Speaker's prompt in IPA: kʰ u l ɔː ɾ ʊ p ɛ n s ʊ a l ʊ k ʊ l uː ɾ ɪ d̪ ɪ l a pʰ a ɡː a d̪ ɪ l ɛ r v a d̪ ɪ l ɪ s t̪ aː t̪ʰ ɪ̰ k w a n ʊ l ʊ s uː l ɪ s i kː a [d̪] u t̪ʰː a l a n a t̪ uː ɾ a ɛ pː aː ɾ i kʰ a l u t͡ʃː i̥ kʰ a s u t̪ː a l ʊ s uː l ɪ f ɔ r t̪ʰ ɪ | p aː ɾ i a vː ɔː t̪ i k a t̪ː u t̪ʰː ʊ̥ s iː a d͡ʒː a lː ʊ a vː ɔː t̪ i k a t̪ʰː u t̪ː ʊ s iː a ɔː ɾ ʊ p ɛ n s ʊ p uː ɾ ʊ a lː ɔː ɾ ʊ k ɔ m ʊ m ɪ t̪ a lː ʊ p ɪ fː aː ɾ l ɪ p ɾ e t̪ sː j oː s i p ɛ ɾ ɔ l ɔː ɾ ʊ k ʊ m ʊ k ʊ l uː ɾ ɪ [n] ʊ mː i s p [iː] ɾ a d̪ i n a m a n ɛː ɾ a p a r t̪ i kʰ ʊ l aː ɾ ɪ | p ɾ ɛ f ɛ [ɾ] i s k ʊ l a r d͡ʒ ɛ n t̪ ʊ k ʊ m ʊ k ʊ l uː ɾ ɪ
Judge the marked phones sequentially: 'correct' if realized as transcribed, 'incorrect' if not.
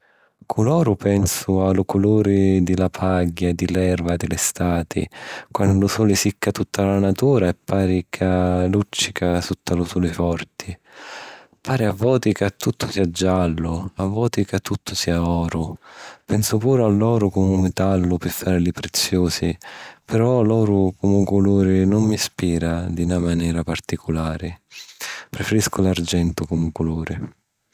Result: incorrect, correct, correct, correct

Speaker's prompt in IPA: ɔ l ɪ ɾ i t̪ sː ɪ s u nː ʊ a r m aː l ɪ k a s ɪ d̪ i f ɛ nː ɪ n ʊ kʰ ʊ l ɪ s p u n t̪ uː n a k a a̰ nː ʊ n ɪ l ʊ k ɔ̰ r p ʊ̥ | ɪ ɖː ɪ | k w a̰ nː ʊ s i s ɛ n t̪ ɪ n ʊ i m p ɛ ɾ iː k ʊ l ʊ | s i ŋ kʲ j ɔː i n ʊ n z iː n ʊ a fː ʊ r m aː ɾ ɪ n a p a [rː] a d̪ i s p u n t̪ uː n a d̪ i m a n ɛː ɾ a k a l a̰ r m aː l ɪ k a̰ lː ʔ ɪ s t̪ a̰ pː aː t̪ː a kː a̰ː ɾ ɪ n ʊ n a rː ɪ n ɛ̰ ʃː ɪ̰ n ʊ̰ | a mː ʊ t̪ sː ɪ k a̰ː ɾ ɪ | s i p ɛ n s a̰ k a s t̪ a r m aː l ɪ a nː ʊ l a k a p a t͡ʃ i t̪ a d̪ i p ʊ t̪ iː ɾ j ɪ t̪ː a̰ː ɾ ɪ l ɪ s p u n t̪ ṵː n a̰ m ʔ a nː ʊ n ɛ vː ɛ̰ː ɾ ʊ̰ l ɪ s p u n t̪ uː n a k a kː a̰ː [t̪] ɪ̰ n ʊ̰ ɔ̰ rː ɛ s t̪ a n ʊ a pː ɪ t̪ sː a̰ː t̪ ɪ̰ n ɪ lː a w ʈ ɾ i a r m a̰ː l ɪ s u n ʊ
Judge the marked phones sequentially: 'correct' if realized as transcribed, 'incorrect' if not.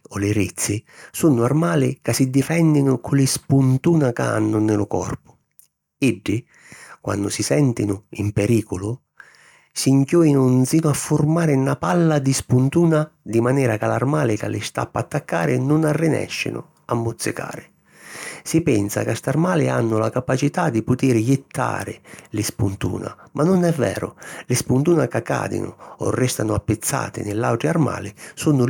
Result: incorrect, incorrect

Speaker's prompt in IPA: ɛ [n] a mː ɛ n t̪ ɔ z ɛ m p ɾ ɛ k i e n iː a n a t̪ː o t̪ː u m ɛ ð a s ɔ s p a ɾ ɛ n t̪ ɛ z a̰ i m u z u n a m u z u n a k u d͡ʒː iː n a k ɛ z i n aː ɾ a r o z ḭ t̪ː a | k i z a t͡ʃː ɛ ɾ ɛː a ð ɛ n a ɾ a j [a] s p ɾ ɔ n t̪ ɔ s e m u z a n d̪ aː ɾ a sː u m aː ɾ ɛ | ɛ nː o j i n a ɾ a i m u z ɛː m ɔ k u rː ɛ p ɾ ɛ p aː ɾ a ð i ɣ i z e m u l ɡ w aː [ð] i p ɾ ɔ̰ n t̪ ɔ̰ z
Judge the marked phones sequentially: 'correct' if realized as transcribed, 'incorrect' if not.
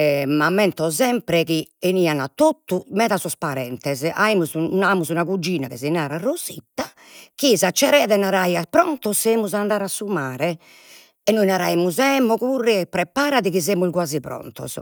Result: incorrect, correct, incorrect

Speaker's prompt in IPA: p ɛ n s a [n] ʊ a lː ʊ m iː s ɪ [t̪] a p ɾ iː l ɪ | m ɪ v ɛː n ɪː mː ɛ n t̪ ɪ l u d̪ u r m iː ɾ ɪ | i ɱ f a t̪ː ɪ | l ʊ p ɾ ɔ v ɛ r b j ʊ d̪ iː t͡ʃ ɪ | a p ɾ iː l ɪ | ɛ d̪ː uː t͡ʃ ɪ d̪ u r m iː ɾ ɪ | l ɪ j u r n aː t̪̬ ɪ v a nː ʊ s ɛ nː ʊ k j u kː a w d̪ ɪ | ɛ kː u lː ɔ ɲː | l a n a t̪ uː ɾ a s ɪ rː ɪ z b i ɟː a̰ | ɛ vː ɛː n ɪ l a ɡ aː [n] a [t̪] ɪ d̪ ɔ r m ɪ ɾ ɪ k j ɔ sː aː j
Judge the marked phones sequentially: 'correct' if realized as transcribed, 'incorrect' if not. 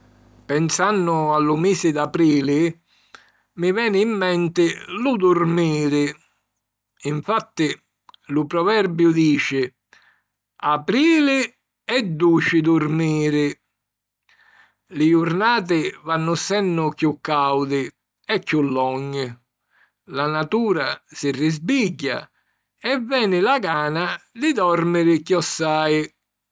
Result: incorrect, incorrect, correct, incorrect

